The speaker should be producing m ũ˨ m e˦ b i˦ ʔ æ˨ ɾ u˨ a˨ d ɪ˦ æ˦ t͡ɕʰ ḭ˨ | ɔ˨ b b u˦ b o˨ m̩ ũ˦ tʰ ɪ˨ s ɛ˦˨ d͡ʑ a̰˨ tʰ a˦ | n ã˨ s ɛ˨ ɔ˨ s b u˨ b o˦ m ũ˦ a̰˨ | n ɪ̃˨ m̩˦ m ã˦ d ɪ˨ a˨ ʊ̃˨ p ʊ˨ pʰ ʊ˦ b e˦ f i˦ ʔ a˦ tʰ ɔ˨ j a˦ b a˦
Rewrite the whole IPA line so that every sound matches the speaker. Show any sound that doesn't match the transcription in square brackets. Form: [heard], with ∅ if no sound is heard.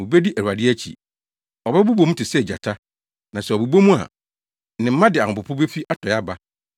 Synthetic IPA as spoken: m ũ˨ [b] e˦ [d] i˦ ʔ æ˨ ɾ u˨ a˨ d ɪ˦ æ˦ t͡ɕʰ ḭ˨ | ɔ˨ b b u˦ b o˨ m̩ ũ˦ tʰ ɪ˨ s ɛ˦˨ d͡ʑ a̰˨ tʰ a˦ | n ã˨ s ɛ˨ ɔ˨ [∅] b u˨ b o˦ m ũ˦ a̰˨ | n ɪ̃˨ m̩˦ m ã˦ d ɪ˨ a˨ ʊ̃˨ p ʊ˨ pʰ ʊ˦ b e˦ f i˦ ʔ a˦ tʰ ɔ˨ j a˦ b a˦

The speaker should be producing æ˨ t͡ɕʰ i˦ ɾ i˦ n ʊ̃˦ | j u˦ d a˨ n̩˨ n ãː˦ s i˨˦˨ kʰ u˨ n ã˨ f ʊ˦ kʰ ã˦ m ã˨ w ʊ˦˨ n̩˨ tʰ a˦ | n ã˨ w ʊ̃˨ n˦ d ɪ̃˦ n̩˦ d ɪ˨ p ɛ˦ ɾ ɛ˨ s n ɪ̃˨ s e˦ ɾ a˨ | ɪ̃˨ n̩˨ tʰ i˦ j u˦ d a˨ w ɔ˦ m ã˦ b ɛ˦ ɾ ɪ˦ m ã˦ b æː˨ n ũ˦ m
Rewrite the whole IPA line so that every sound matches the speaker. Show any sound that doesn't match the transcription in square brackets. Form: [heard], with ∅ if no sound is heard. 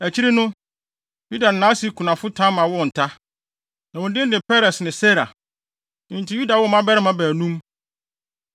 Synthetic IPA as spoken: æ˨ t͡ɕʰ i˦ ɾ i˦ n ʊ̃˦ | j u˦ d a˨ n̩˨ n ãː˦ s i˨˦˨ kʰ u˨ n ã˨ f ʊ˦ [tʰ] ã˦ m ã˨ w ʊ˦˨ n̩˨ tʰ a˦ | n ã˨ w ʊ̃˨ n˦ d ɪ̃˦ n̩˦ d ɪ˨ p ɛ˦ ɾ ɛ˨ s n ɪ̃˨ s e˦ ɾ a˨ | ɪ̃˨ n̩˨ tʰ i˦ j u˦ d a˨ w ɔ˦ m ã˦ b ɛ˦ ɾ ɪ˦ m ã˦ b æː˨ n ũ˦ m

